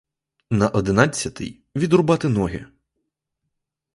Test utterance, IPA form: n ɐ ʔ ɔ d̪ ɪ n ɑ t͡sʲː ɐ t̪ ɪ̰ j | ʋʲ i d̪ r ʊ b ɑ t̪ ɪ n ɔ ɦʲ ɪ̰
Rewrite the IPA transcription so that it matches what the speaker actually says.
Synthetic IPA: n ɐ ʔ ɔ d̪ ɪ n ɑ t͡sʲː ɐ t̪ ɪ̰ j | ʋʲ i d̪ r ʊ b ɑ t̪ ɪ n ɔ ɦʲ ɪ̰